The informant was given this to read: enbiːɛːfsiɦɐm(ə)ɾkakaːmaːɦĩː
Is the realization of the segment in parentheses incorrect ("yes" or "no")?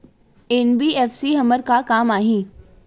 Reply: no